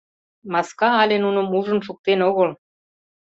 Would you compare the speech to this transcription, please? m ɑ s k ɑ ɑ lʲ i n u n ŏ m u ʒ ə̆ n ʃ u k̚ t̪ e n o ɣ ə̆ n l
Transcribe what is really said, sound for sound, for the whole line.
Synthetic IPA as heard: m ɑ s k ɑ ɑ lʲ e n u n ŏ m u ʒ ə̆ n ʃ u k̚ t̪ e n o ɣ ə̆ l